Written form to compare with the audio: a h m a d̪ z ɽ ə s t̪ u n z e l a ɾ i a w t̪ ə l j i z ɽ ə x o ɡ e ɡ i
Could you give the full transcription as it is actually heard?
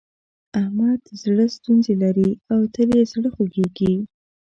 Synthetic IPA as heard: a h m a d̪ z ɽ ə s t̪ u n z e l a ɾ i a w t̪ ə l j e z ɽ ə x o ɡ e ɡ i

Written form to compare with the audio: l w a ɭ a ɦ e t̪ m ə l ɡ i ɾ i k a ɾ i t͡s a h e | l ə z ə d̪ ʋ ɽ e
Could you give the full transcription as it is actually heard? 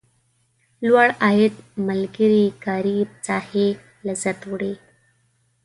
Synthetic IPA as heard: l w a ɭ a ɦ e t̪ m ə l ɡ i ɾ i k a ɾ i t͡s a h e | l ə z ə t̪ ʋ ɽ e

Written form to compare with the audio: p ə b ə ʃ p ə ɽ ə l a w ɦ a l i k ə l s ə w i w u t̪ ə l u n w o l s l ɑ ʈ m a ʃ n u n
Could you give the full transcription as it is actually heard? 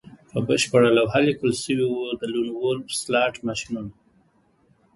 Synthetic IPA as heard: p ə b ə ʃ p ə ɽ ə l a w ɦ a l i k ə l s ə w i w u d̪ ə l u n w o l s l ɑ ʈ m a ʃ n u n

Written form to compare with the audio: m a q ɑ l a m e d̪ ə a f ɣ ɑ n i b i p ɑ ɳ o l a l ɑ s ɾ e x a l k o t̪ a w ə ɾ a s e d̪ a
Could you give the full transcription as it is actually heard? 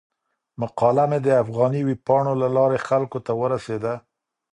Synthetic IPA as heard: m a q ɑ l a m e d̪ ə a f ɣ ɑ n i w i p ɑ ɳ o l a l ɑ ɾ e x a l k o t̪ a w ə ɾ a s e d̪ a

